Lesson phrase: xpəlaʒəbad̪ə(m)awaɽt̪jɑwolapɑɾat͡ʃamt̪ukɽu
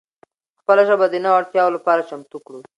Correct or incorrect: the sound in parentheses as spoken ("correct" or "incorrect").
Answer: incorrect